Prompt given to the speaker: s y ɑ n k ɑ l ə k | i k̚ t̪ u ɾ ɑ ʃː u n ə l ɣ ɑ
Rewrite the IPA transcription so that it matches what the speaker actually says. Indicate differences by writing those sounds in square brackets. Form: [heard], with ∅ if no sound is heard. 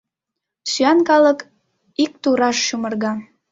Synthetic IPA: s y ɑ n k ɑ l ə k | i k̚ t̪ u ɾ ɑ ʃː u [m] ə [r] ɣ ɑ